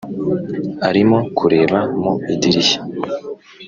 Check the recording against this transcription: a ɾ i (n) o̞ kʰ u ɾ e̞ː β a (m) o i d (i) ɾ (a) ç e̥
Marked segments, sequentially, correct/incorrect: incorrect, correct, correct, incorrect

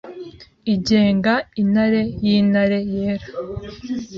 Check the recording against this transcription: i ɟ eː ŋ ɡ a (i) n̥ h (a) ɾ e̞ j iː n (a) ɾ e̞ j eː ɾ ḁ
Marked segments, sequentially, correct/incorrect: correct, correct, correct

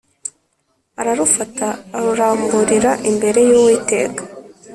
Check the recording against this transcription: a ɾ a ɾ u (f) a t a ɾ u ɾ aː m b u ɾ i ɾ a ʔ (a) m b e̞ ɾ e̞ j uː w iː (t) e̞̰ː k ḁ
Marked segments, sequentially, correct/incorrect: correct, incorrect, correct

